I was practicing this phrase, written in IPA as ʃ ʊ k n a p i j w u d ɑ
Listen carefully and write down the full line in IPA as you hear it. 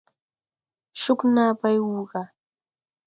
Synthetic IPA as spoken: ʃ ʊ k n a p a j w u ɢ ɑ